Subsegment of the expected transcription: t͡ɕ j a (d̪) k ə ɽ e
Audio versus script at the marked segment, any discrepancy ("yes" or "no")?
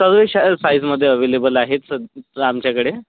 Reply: yes